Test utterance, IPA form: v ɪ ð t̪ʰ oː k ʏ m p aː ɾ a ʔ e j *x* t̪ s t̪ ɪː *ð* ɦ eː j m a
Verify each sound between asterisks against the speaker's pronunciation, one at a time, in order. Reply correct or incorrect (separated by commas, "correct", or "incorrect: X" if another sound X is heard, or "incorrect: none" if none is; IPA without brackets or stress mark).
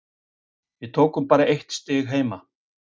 incorrect: h, incorrect: ɣ